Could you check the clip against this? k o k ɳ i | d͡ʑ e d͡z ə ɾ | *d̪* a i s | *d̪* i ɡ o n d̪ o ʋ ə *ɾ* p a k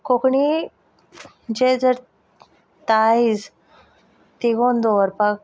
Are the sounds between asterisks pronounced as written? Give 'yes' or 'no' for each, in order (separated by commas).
no, no, yes